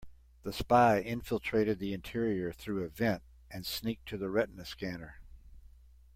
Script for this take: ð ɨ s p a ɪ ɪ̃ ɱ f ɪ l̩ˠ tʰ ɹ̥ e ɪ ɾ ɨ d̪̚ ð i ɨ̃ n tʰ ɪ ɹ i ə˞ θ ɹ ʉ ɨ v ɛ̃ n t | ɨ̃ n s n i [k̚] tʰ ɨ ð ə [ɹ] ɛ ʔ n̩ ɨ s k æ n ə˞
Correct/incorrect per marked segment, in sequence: correct, correct

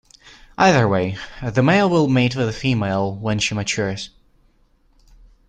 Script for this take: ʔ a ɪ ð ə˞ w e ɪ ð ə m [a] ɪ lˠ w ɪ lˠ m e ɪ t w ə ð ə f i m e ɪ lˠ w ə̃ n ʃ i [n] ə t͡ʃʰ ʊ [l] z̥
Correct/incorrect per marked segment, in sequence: incorrect, incorrect, incorrect

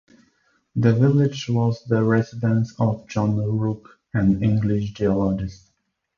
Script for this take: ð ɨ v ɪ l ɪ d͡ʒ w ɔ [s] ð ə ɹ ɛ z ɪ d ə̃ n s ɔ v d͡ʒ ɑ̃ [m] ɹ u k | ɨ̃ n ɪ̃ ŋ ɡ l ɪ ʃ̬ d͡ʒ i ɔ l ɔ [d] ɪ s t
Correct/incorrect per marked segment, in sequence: incorrect, incorrect, incorrect

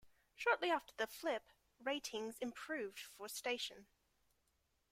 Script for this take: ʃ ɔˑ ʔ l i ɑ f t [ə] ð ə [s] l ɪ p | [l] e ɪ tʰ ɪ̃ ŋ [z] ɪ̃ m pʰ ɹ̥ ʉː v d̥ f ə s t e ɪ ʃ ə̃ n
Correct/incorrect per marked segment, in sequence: correct, incorrect, incorrect, correct

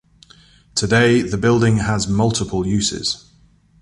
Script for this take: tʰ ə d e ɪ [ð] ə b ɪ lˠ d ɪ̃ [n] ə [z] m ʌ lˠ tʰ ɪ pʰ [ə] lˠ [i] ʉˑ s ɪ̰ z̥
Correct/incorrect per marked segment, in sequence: correct, incorrect, correct, correct, incorrect

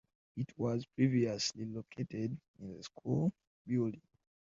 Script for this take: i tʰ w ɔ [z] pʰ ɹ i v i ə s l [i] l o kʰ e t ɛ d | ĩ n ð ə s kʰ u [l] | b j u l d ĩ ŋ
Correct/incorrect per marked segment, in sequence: correct, correct, correct

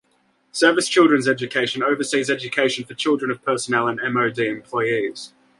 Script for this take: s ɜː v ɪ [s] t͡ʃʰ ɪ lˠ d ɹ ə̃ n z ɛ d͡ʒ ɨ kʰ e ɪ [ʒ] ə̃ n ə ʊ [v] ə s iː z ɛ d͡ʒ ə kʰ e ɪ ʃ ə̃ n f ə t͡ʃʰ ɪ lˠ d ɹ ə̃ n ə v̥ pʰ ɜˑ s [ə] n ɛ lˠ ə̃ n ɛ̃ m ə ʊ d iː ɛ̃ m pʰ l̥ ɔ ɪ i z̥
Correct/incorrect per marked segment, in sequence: correct, incorrect, correct, correct

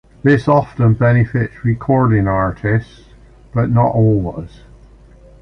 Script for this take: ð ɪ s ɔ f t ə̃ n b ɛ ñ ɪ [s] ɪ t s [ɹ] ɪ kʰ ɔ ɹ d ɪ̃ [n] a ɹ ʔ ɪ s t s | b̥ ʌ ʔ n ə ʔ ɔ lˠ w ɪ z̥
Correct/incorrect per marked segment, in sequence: incorrect, correct, incorrect

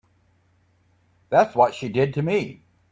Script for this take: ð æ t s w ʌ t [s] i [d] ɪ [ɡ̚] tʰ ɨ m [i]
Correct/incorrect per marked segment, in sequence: incorrect, correct, incorrect, correct

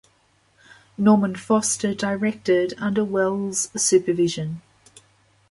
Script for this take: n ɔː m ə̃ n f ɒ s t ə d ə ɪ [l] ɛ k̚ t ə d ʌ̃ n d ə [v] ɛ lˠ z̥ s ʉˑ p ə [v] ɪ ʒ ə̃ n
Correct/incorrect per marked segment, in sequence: incorrect, incorrect, correct

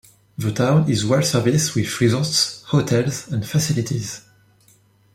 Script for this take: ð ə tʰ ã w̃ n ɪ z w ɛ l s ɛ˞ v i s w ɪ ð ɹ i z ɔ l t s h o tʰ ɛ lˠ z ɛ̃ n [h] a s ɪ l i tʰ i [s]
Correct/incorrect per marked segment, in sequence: incorrect, incorrect

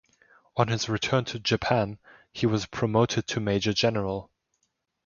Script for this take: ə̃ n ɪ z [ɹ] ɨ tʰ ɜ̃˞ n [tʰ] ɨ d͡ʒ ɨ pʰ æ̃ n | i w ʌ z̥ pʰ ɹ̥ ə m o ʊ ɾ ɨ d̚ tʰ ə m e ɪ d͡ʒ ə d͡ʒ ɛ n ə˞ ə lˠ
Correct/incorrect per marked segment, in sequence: correct, correct

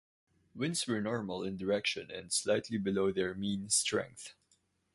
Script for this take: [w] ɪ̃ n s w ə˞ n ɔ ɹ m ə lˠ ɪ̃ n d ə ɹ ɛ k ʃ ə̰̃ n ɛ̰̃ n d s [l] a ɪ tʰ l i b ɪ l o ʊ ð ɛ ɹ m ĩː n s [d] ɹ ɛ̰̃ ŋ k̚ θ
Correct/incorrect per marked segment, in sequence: correct, correct, incorrect

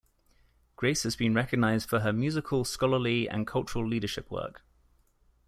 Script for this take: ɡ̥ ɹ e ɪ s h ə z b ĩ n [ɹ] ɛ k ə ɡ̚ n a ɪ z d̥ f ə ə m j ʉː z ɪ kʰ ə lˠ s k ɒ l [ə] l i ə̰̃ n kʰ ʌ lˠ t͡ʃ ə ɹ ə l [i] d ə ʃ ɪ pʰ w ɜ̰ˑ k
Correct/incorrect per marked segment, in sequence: correct, correct, incorrect

